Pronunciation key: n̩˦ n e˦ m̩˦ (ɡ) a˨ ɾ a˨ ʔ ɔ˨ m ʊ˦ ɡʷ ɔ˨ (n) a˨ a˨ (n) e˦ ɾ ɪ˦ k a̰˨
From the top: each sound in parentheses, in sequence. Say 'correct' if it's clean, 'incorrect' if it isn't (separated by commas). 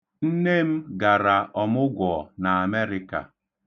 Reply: correct, correct, incorrect